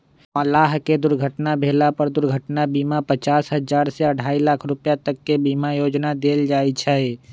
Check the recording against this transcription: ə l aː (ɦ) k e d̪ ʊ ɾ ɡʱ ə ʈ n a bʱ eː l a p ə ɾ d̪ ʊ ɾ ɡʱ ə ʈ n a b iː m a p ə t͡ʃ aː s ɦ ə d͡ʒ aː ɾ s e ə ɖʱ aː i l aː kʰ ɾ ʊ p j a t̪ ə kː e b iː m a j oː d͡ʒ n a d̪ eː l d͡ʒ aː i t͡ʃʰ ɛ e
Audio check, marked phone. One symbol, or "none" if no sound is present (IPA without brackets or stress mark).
ɦ